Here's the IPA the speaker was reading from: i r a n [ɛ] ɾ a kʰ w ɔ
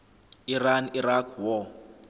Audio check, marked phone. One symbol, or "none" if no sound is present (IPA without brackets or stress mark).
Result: i